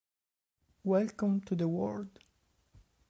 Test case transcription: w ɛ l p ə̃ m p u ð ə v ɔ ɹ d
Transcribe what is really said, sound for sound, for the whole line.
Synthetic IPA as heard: w ɛ l k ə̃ m t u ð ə w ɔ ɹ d